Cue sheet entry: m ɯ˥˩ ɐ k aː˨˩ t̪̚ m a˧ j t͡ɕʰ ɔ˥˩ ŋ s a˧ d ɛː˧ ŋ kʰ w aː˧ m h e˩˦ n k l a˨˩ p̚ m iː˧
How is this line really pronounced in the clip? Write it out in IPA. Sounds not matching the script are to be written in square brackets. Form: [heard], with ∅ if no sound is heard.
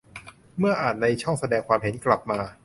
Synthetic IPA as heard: m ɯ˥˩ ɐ [ʔ] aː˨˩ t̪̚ [n] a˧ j t͡ɕʰ ɔ˥˩ ŋ s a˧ d ɛː˧ ŋ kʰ w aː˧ m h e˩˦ n k l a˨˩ p̚ m [aː˧]